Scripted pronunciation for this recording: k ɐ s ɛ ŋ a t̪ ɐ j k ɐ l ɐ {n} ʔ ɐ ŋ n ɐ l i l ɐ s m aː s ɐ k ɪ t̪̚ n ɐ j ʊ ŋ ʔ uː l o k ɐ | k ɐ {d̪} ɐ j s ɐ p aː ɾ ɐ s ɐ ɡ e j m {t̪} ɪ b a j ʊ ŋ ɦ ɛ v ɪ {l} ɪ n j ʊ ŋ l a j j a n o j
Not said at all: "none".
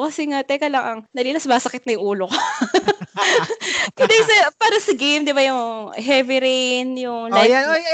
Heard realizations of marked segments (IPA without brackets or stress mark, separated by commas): ŋ, d̪, d̪, ɾ